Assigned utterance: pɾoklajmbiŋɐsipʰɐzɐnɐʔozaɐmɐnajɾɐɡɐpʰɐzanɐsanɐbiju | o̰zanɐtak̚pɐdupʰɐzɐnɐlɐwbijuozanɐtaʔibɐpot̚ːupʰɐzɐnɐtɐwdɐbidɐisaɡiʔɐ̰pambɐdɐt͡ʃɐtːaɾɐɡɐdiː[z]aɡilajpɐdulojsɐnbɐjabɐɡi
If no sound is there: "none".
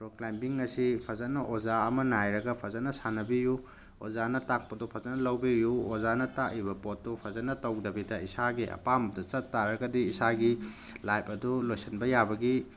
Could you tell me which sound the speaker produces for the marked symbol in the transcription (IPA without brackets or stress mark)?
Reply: s